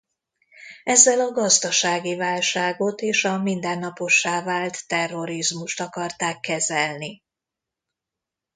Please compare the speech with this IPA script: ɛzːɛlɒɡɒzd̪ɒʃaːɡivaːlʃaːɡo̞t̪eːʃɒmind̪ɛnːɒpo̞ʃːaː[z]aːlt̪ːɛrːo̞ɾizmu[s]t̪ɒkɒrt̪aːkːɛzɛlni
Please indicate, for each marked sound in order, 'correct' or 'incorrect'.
incorrect: v, incorrect: ʃ

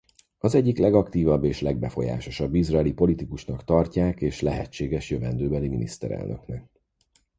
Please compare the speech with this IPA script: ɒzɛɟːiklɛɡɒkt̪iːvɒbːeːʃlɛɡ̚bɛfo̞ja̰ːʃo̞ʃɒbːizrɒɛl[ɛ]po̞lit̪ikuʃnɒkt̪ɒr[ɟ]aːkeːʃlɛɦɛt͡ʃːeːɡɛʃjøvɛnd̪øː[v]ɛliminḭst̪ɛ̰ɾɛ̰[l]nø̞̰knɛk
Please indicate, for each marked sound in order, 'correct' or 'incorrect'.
incorrect: i, incorrect: c, incorrect: b, correct

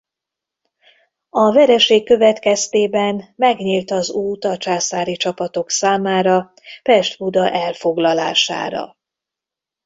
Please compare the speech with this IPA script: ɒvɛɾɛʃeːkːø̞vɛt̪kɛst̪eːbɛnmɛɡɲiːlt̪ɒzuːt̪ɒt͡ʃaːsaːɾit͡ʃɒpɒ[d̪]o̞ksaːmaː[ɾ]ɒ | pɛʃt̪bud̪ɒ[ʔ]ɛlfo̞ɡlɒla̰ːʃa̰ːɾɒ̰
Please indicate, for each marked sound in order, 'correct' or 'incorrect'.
incorrect: t̪, correct, correct

